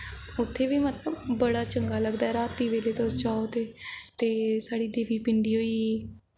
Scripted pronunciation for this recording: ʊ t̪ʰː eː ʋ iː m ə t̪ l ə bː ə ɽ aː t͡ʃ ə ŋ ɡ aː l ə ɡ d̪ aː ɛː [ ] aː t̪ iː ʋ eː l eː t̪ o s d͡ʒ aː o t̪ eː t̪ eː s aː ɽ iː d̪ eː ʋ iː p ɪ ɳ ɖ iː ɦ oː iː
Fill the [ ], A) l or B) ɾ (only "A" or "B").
B